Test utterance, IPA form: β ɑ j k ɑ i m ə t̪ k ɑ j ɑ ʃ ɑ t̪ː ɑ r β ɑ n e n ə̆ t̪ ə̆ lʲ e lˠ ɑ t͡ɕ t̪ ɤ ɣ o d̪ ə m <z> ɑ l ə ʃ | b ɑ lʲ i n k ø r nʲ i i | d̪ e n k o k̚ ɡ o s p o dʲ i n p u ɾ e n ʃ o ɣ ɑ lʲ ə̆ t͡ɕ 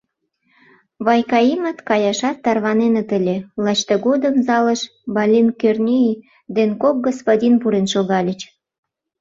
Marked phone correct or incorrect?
correct